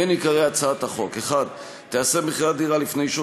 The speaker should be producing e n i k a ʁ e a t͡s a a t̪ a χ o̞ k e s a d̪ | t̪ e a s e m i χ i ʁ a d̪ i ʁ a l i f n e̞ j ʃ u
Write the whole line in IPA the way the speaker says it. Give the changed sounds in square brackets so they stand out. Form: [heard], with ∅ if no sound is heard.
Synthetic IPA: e n i k a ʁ e a t͡s a a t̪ a χ o̞ k e [χ] a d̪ | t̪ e a s e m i χ i ʁ a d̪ i ʁ a l i f n e̞ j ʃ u

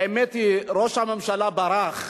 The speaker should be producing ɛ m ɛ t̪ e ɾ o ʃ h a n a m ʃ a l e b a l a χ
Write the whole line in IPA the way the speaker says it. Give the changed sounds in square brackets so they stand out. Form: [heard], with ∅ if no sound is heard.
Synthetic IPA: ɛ m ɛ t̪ [i] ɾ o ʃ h a [m] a m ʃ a l [a] b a [ɾ] a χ

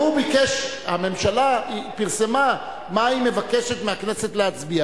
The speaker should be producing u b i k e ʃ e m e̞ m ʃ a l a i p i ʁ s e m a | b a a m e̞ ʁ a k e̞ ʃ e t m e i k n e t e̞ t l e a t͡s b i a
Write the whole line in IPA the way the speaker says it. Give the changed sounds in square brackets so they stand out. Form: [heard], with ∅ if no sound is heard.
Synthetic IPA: u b i k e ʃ [a] m e̞ m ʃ a l a i p i ʁ s e m a | [m] a [i] m e̞ [v] a k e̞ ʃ e t m e [a] k n e [s] e̞ t l e a t͡s b i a

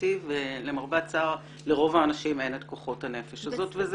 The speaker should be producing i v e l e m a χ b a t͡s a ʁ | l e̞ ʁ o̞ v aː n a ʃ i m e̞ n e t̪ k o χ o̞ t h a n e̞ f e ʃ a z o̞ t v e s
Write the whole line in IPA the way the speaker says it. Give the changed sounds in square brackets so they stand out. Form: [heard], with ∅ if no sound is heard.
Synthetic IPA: i v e l e m a [ʁ] b a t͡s a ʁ | l e̞ ʁ o̞ v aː n a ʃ i m e̞ n e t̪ k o χ o̞ t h a n e̞ f e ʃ a z o̞ t v e [z]

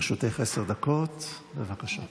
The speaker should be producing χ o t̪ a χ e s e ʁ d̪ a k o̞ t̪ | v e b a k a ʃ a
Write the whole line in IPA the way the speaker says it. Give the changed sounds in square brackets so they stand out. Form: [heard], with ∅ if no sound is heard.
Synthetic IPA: [ʃ] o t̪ [e] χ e s e ʁ d̪ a k o̞ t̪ | [b] e [v] a k a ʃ a

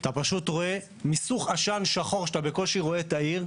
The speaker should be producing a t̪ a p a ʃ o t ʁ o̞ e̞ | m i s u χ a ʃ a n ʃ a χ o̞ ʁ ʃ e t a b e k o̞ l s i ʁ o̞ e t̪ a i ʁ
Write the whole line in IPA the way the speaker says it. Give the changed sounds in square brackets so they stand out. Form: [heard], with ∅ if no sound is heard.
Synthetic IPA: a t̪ a p a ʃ [u] t ʁ o̞ e̞ | m i s u χ a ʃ a n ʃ a χ o̞ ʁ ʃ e t a b e k o̞ l [ʃ] i ʁ o̞ e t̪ a i ʁ

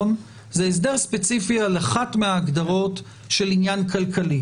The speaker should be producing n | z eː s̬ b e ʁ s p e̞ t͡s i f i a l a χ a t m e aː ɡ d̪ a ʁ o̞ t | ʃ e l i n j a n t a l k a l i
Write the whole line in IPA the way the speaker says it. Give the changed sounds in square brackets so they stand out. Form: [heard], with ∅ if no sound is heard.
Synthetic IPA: n | z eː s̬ [d] e ʁ s p e̞ t͡s i f i a l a χ a t m e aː ɡ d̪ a ʁ o̞ t | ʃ e l i n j a n [k] a l k a l i

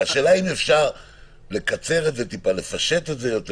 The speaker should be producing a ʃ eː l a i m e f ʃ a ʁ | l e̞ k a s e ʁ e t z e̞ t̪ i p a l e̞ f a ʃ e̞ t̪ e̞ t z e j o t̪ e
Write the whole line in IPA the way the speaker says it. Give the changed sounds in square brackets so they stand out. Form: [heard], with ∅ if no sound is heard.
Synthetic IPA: a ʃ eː l a i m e f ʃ a ʁ | l e̞ k a [t͡s] e ʁ e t z e̞ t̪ i p a l e̞ f a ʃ e̞ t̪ e̞ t z e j o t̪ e

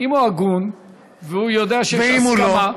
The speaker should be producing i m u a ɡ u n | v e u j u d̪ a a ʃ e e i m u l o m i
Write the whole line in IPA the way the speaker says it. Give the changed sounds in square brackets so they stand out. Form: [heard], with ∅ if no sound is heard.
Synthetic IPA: i m u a ɡ u n | v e u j [o] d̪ [e] a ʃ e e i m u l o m [a]

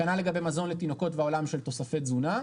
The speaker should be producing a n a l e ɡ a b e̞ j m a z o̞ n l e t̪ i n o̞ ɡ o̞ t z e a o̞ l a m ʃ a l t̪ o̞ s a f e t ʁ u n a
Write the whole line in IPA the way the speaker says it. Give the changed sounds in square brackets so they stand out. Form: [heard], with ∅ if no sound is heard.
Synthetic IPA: a n a l e ɡ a b e̞ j m a z o̞ n l e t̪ i n o̞ [k] o̞ t [v] e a o̞ l a m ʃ [e] l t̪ o̞ s a f e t [z] u n a

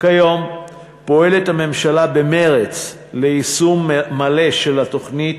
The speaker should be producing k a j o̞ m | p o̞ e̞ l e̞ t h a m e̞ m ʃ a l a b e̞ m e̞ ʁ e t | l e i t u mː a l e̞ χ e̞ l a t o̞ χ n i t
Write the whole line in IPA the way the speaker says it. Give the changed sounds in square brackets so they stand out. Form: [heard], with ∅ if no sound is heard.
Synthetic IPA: k a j o̞ m | p o̞ e̞ l e̞ t h a m e̞ m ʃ a l a b e̞ m e̞ ʁ e [t͡s] | l e i [s] u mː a l e̞ [ʃ] e̞ l a t o̞ χ n i t

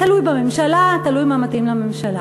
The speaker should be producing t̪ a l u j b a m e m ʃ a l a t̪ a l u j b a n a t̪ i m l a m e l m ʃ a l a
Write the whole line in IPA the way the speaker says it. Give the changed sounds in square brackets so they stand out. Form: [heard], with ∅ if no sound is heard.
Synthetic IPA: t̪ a l u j b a m e m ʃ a l a t̪ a l u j [m] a [m] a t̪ i m l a m e [∅] m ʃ a l a

